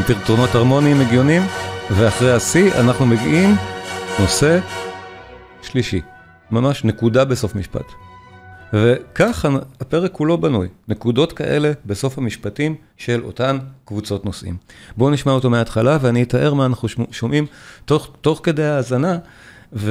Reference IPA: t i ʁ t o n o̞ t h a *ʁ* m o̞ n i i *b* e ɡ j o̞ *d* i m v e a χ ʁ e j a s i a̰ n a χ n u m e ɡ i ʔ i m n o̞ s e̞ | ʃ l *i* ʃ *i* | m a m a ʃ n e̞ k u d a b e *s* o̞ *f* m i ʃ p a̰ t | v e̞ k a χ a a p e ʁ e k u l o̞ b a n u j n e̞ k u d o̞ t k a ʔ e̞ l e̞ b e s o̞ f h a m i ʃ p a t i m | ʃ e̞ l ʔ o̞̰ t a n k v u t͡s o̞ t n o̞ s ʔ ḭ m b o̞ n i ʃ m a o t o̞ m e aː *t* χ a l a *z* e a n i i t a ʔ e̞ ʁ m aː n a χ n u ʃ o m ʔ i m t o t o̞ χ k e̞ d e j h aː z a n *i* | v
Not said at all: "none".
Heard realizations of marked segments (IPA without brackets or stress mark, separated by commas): ʁ, m, n, i, i, s, f, t, v, a